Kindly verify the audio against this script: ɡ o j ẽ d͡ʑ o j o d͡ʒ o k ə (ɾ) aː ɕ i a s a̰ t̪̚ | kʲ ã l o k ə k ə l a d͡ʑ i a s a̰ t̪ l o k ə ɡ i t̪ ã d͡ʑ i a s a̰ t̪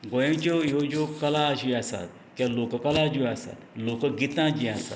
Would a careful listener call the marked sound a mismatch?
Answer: yes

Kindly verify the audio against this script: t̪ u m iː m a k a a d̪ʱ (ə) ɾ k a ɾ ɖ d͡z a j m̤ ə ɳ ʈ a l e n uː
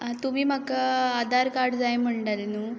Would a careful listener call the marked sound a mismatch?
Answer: yes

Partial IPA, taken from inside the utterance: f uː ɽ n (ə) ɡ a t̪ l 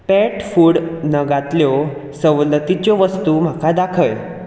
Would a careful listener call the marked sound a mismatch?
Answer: no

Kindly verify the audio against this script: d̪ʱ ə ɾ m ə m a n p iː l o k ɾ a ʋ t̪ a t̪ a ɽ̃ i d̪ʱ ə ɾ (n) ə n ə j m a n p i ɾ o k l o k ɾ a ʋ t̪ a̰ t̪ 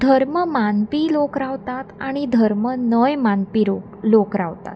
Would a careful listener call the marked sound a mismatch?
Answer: yes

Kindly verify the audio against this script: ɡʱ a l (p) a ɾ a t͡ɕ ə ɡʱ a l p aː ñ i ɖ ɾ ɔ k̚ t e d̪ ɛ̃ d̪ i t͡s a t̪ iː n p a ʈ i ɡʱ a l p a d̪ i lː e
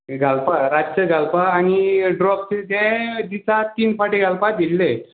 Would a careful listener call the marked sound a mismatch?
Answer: no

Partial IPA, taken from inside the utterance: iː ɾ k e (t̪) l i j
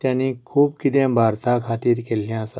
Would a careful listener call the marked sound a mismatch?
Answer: yes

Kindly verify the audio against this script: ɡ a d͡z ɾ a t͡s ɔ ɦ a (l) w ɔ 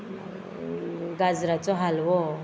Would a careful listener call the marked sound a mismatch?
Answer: no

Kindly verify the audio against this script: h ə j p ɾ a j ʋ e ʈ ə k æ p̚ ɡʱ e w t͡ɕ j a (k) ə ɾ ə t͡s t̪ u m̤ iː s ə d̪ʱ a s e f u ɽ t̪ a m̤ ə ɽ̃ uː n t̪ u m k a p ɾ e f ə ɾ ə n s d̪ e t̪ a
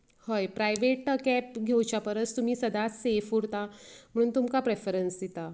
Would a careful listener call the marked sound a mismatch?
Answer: yes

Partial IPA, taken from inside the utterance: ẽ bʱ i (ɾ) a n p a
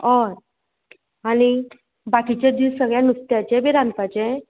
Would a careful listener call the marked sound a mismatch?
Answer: no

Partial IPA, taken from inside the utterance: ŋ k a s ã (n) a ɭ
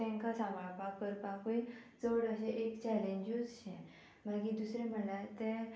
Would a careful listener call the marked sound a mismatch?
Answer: yes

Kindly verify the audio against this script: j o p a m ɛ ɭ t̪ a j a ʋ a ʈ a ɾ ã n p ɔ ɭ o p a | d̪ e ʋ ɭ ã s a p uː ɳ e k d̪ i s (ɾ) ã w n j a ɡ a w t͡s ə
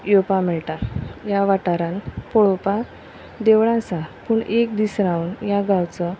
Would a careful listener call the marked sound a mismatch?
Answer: no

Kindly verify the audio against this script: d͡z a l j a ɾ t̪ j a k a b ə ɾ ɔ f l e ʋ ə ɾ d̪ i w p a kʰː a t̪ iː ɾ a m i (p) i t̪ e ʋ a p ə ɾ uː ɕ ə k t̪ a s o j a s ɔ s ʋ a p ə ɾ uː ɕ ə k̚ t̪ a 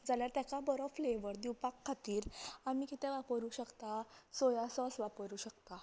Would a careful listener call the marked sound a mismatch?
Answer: yes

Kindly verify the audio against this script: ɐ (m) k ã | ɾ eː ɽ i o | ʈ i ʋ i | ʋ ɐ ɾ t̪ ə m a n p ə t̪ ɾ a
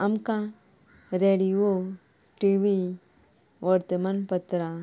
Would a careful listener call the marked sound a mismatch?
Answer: no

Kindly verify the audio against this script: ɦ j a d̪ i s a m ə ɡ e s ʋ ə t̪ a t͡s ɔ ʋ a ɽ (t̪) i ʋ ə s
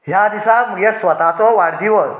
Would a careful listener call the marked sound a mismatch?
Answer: yes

